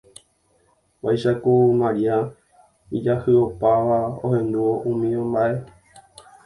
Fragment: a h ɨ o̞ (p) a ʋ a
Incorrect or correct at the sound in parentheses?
correct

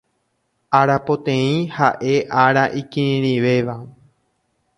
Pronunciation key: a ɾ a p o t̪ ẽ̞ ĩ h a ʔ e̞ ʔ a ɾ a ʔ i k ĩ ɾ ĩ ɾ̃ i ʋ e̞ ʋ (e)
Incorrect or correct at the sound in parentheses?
incorrect: a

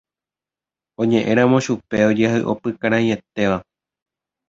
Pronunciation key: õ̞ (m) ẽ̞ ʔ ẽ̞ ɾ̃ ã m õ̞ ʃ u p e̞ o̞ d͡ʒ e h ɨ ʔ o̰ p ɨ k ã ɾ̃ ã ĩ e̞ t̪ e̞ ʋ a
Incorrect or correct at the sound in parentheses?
incorrect: ɲ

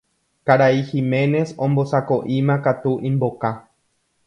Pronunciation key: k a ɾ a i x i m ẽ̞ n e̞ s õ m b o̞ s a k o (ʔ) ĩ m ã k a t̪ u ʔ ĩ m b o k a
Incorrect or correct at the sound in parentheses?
correct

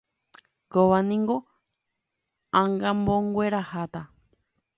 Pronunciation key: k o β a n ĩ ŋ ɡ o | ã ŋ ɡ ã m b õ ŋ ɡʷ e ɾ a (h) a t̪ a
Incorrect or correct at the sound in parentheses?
correct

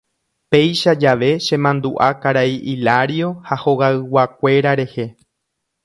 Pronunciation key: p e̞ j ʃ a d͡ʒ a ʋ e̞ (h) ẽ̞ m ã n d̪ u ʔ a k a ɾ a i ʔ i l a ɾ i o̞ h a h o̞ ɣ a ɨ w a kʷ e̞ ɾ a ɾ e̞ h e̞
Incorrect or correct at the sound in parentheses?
incorrect: ʃ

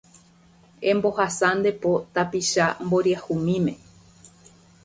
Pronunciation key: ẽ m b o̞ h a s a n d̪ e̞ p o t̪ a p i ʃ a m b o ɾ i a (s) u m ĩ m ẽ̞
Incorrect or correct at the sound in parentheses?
incorrect: h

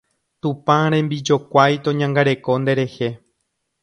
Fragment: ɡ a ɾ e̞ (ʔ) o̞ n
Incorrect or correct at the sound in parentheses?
incorrect: k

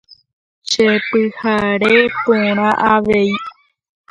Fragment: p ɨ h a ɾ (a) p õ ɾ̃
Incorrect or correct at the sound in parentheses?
incorrect: e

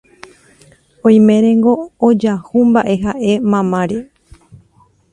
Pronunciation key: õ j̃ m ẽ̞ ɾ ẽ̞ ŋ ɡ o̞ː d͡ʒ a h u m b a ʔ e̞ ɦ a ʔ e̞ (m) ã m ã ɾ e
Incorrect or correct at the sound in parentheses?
correct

